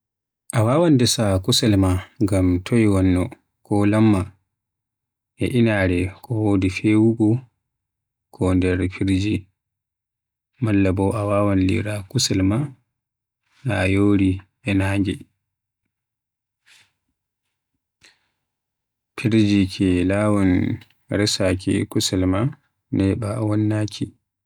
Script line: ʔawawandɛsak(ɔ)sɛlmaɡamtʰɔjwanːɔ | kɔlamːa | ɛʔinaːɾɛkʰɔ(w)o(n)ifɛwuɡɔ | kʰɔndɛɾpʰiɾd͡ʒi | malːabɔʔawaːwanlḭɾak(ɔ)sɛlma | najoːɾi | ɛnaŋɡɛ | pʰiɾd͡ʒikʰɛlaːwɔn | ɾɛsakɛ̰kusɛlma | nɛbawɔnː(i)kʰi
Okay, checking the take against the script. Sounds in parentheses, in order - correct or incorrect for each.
incorrect, correct, incorrect, incorrect, incorrect

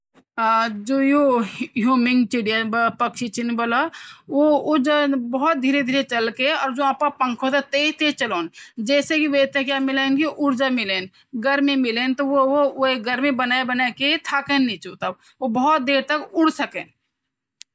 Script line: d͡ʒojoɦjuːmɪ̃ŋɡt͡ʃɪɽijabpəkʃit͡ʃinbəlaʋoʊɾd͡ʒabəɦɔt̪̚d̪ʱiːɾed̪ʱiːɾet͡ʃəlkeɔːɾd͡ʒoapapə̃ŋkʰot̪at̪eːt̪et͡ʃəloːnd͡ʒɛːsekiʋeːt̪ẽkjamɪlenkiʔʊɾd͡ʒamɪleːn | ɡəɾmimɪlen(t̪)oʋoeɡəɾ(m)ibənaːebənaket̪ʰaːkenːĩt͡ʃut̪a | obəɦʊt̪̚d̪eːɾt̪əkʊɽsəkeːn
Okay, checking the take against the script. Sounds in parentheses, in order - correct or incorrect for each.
correct, correct

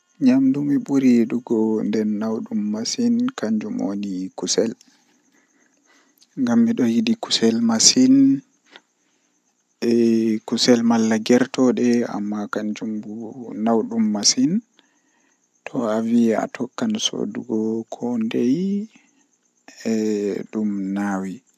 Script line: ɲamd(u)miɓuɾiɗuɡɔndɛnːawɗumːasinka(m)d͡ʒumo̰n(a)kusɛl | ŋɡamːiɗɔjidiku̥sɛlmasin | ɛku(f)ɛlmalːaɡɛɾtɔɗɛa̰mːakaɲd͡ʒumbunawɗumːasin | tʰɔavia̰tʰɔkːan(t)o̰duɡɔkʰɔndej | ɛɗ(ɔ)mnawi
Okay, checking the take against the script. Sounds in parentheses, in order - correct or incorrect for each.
correct, incorrect, incorrect, incorrect, incorrect, incorrect

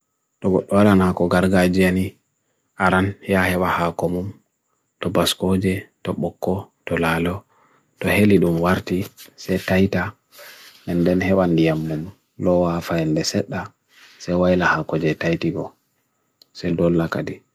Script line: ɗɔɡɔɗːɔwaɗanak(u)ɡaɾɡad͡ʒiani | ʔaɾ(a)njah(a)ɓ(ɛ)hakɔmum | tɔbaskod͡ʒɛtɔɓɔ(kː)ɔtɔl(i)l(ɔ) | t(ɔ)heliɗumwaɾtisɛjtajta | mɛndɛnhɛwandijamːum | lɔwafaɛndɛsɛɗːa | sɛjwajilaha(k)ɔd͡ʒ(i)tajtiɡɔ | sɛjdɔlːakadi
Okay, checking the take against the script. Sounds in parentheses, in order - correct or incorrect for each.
incorrect, correct, incorrect, incorrect, correct, incorrect, correct, correct, correct, incorrect

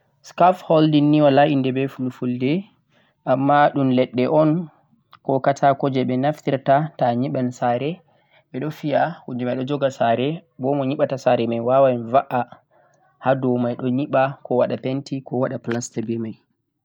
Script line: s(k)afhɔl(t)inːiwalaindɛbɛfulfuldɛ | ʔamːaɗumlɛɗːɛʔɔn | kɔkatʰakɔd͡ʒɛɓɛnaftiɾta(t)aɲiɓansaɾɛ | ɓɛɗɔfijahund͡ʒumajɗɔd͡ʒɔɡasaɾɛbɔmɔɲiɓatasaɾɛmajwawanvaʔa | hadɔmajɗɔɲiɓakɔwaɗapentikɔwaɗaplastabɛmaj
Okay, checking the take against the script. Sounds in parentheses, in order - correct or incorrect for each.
correct, incorrect, correct

